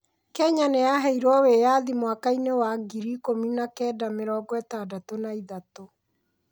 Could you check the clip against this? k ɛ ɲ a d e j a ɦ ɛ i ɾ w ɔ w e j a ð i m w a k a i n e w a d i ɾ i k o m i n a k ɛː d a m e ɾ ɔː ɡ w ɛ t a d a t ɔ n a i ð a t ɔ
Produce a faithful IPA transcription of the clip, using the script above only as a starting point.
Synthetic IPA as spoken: k ɛ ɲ a n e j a ɦ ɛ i ɾ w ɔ w e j a ð i m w a k a i n e w a ɡ i ɾ i k o m i n a k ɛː d a m e ɾ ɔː ɡ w ɛ t a d a t o n a i ð a t o

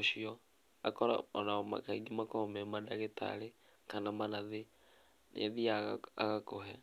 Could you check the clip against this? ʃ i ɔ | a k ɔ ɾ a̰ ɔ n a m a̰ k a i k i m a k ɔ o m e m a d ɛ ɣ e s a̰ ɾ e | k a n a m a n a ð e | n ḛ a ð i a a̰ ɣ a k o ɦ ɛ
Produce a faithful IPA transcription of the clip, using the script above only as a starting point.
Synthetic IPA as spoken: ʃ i ɔ | a k ɔ ɾ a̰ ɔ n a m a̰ k a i ɡ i m a k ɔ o m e m a d a ɣ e t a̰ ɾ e | k a n a m a n a ð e | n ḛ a ð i a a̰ ɣ a k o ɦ ɛ

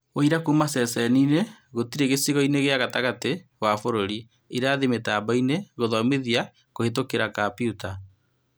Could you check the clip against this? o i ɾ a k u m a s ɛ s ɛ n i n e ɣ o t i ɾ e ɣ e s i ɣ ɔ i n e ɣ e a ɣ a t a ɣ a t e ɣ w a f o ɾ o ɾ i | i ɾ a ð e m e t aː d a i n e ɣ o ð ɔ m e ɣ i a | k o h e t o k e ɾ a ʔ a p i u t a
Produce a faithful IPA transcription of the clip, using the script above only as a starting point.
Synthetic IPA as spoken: o i ɾ a k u m a s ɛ s ɛ n i n e ɣ o t i ɾ e ɣ e s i ɣ ɔ i n e ɣ e a ɣ a t a ɣ a t e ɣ w a f o ɾ o ɾ i | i ɾ a ð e m e t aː b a i n e ɣ o ð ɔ m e ð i a | k o h e t o k e ɾ a k a p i u t a

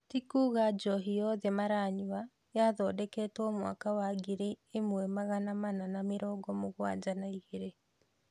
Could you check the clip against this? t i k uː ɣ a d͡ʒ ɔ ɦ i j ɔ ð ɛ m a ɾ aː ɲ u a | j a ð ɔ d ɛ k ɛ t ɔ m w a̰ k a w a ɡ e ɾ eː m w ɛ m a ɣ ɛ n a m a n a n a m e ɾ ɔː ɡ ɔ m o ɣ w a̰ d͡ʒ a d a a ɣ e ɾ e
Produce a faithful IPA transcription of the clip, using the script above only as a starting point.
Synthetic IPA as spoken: t i k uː ɣ a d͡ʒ ɔ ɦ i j ɔ ð ɛ m a ɾ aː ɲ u a | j a ð ɔ d ɛ k ɛ t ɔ m w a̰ k a w a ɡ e ɾ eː m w ɛ m a ɣ a n a m a n a n a m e ɾ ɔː ɡ ɔ m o ɣ w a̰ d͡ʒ a n a i ɣ e ɾ e

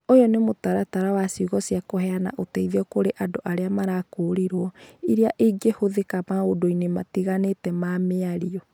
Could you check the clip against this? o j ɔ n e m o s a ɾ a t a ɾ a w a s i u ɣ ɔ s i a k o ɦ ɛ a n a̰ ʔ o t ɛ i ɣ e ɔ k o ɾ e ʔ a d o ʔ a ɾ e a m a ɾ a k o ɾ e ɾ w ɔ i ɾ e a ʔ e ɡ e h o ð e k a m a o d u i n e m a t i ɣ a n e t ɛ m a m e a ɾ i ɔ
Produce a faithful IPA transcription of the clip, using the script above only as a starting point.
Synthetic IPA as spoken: o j ɔ n e m o t a ɾ a t a ɾ a w a s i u ɣ ɔ s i a k o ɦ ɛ a n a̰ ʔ o t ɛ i ð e ɔ k o ɾ e ʔ a d o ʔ a ɾ e a m a ɾ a k o ɾ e ɾ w ɔ i ɾ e a ʔ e ɡ e h o ð e k a m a o d o i n e m a t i ɣ a n e t ɛ m a m e a ɾ i ɔ

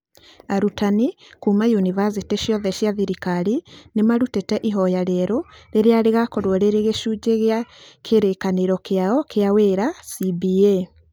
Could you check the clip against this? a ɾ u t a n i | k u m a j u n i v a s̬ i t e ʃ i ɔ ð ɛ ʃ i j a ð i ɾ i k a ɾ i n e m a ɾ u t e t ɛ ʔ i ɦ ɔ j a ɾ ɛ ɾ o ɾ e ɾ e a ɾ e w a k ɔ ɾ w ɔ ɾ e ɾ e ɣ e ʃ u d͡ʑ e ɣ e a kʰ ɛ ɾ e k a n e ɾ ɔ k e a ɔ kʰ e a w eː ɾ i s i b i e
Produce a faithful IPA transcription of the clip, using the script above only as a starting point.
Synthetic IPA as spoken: a ɾ u t a n i | k u m a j u n i v a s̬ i t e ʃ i ɔ ð ɛ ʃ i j a ð i ɾ i k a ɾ i n e m a ɾ u t e t ɛ ʔ i ɦ ɔ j a ɾ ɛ ɾ o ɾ e ɾ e a ɾ e ɣ a k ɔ ɾ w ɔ ɾ e ɾ e ɣ e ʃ u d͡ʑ e ɣ e a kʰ e ɾ e k a n e ɾ ɔ k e a ɔ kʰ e a w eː ɾ a s i b i e

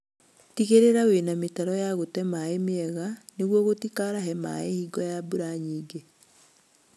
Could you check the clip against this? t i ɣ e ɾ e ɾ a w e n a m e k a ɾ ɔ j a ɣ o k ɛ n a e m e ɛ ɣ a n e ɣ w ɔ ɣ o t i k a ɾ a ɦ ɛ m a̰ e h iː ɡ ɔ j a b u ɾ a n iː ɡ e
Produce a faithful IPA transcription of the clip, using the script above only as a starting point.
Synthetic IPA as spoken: t i ɣ e ɾ e ɾ a w e n a m e t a ɾ ɔ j a ɣ o t ɛ m a e m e ɛ ɣ a n e ɣ w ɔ ɣ o t i k a ɾ a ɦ ɛ m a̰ e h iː ɡ ɔ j a b u ɾ a ɲ iː ɡ e

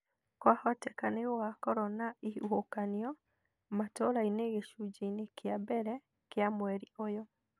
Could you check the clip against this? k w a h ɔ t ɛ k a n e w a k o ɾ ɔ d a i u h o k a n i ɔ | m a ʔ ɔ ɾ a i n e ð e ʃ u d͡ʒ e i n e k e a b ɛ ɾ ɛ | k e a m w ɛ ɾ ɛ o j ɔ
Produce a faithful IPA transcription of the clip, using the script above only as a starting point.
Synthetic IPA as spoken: k w a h ɔ t ɛ k a n e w a k ɔ ɾ ɔ n a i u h o k a n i ɔ | m a t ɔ ɾ a i n e ɣ e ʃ u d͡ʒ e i n e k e a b ɛ ɾ ɛ | k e a m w ɛ ɾ i o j ɔ

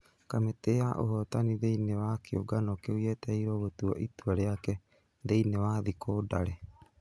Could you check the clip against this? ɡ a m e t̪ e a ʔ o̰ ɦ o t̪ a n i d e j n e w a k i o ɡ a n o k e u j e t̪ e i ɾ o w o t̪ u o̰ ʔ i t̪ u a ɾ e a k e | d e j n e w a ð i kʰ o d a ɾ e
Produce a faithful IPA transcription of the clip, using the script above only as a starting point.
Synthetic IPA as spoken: k a m e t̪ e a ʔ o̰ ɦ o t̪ a n i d e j n e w a k i o ɡ a n o k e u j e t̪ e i ɾ o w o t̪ u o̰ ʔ i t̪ u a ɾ e a k e | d e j n e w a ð i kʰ o d a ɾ e

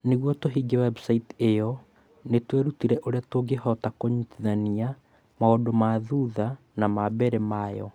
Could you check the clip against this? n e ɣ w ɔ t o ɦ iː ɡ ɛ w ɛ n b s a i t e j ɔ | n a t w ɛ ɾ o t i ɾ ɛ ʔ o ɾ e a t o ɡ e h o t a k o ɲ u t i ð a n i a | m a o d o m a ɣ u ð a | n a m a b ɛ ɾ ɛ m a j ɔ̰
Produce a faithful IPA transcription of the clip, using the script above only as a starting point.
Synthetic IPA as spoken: n e ɣ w ɔ t o ɦ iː ɡ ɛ w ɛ b s a i t e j ɔ | n e t w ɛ ɾ u t i ɾ ɛ ʔ o ɾ e a t o ɡ e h ɔ t a k o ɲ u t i ð a n i a | m a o d o m a ð u ð a | n a m a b ɛ ɾ ɛ m a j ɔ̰

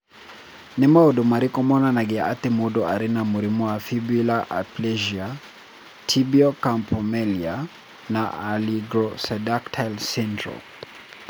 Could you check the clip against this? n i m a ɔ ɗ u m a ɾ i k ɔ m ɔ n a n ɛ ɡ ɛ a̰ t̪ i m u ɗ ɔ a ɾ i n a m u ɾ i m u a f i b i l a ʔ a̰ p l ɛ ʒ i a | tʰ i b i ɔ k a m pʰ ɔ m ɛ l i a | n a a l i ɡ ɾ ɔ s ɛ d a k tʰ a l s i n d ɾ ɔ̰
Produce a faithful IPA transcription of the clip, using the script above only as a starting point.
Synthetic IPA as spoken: n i m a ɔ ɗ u m a ɾ i k ɔ m ɔ n a n a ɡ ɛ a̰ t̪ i m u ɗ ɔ a ɾ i n a m u ɾ i m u a f i b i l a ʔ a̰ p l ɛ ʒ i a | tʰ i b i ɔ k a m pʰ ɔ m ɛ l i a | n a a l i ɡ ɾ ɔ s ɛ d a k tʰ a l s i n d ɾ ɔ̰

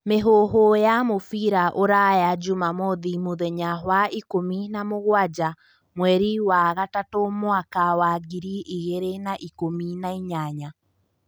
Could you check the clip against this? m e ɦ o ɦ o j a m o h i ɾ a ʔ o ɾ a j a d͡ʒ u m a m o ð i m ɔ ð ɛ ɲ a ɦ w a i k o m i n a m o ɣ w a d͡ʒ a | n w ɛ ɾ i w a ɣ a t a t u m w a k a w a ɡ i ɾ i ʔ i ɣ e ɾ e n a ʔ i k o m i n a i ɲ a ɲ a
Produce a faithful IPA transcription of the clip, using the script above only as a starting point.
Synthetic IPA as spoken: m e ɦ o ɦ o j a m o f i ɾ a ʔ o ɾ a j a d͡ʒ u m a m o ð i m o ð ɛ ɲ a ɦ w a i k o m i n a m o ɣ w a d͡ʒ a | m w ɛ ɾ i w a ɣ a t a t o m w a k a w a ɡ i ɾ i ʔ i ɣ e ɾ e n a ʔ i k o m i n a i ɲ a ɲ a

